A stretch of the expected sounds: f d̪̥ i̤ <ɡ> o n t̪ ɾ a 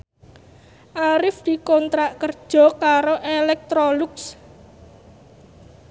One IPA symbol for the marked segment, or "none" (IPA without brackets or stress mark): k